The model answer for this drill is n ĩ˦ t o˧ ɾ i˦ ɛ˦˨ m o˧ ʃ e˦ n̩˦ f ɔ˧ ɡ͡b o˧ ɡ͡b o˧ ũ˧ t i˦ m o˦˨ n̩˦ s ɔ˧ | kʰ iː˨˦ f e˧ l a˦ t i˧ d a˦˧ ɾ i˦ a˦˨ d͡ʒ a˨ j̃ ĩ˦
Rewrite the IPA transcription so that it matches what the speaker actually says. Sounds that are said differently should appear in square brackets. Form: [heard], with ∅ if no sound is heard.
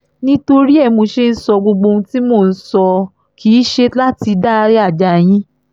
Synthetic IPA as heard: n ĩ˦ t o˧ ɾ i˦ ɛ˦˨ m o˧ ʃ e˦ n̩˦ [s] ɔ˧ ɡ͡b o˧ ɡ͡b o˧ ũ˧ t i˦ m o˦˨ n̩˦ s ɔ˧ | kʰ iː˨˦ [ʃ] e˧ l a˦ t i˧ d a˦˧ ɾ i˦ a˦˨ d͡ʒ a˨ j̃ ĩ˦

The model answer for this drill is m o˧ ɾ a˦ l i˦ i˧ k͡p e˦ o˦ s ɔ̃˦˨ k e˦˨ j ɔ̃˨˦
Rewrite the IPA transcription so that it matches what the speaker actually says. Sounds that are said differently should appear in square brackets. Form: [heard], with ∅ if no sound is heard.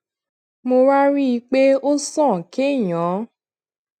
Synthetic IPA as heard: m o˧ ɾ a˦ [ɾ] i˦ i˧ k͡p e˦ o˦ s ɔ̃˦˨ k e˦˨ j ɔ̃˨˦

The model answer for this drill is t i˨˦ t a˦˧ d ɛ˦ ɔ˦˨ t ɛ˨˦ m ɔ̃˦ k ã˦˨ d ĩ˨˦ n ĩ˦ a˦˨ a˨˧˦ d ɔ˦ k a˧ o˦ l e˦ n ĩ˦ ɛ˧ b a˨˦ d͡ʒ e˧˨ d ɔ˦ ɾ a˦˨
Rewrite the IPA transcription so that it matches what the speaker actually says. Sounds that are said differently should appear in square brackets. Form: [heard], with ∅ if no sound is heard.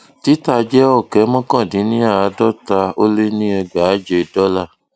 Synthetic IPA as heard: t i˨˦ t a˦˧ [d͡ʒ] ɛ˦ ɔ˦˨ [k] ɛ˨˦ m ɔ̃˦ k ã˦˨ d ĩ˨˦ n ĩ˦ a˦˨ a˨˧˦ d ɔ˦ [t] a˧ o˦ l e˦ n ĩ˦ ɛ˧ [ɡ͡b] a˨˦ d͡ʒ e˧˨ d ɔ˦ [l] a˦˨

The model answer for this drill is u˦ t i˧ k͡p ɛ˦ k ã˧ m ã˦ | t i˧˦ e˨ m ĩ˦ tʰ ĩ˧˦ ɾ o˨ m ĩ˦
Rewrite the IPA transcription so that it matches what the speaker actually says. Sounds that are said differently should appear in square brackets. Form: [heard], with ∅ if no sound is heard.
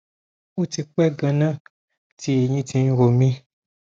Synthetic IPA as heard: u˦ t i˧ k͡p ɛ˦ [ɡ] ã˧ [n] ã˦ | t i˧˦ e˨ [ɲ] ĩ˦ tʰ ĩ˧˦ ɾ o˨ m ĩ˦

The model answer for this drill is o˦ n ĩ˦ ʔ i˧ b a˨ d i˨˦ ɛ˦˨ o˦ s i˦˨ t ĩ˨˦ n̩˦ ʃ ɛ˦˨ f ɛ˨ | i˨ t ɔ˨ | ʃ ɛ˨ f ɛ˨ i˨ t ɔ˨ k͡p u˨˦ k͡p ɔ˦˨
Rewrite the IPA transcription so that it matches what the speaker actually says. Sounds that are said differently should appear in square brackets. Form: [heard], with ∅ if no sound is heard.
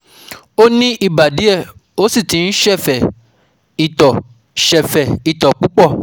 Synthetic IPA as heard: o˦ n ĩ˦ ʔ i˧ b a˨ d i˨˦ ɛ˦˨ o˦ s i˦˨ t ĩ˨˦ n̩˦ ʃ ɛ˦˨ f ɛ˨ | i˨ t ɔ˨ | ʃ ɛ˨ f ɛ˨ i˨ t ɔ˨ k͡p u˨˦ k͡p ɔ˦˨

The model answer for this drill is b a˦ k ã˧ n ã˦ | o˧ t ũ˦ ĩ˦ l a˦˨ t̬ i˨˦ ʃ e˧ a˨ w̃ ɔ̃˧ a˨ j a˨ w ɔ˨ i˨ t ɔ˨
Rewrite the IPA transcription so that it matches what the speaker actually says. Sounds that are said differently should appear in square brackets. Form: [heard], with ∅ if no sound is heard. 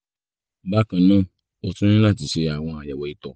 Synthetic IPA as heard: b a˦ k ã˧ n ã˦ | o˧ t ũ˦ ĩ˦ l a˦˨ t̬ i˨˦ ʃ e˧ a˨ w̃ ɔ̃˧ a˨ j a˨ w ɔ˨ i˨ t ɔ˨

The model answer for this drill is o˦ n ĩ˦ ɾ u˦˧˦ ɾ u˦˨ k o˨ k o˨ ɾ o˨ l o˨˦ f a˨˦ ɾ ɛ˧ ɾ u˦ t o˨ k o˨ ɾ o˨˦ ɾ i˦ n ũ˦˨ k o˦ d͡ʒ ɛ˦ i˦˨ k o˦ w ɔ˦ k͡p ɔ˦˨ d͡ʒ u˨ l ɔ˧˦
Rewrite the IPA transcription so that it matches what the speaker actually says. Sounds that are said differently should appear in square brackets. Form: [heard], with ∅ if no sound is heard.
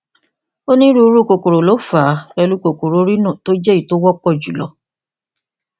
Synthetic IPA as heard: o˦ n ĩ˦ ɾ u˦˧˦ ɾ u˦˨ k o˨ k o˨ ɾ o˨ l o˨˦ f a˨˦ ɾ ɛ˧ [l] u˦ [k] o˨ k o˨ ɾ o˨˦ ɾ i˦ n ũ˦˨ [t] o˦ d͡ʒ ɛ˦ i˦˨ [t] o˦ w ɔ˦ k͡p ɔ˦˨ d͡ʒ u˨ l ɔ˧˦

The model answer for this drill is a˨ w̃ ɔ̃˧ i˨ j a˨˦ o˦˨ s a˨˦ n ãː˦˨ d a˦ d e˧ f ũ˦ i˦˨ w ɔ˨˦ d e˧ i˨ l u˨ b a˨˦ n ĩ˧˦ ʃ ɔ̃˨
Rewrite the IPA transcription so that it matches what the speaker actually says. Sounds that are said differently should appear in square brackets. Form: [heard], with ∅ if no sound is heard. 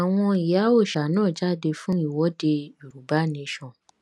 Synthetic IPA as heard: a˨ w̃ ɔ̃˧ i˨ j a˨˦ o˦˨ [ʃ] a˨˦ n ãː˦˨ [d͡ʒ] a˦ d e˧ f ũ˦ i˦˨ w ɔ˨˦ d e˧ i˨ [ɾ] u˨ b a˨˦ n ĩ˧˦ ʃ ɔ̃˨

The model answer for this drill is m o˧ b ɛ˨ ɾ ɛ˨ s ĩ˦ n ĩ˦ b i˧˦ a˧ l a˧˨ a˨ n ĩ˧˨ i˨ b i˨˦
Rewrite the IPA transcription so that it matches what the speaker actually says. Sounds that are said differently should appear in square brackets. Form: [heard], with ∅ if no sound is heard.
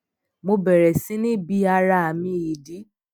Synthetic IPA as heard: m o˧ b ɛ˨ ɾ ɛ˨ s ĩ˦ n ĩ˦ b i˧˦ a˧ [ɾ] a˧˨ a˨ [m] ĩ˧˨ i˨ [d] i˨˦

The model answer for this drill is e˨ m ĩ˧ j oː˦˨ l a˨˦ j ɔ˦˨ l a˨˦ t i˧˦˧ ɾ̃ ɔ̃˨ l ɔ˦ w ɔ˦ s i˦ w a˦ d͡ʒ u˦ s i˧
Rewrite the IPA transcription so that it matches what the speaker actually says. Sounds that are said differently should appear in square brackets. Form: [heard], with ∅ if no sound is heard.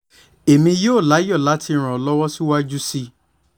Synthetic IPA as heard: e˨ m ĩ˧ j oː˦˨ l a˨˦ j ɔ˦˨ l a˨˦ t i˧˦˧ ɾ̃ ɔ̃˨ l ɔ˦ w ɔ˦ s i˦ w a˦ d͡ʒ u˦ s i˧

